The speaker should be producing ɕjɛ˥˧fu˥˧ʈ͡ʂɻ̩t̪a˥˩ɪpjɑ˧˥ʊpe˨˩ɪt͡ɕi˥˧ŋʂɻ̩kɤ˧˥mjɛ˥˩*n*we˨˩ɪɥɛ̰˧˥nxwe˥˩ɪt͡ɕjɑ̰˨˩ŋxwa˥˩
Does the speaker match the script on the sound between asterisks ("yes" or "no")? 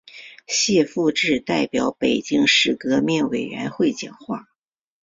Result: yes